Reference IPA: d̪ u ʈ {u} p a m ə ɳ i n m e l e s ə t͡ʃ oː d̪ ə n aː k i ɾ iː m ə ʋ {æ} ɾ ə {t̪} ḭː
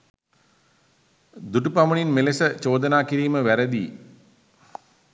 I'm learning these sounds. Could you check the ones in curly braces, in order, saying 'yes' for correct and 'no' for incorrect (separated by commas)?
yes, yes, no